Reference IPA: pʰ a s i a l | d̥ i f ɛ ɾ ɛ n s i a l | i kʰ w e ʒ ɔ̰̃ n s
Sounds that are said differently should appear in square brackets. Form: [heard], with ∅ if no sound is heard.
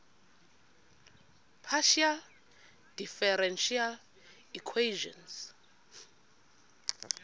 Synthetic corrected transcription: pʰ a [ʃ] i a l | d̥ i f ɛ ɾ ɛ n [ʃ] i a l | i kʰ w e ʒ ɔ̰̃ n s